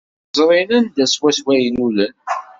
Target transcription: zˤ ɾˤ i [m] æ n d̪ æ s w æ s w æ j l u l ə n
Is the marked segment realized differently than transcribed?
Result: yes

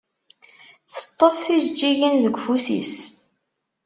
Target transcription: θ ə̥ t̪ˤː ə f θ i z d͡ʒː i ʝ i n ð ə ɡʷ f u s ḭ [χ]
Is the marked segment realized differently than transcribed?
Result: yes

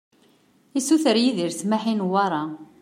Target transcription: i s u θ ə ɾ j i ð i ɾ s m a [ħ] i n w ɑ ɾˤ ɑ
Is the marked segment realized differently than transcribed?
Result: no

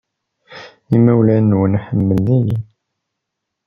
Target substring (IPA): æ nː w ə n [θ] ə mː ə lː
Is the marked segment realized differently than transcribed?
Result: yes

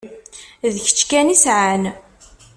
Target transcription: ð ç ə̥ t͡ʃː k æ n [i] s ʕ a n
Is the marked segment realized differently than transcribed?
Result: no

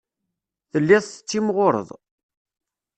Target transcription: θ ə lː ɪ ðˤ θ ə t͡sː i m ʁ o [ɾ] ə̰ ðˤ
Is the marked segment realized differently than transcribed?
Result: no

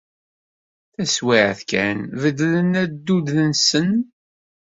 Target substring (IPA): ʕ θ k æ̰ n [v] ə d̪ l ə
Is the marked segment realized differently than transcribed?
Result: no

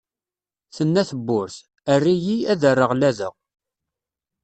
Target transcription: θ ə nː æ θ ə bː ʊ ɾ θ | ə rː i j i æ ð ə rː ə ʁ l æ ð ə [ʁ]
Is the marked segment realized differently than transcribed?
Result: no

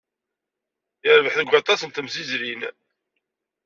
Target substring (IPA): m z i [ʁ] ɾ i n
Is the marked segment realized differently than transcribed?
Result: yes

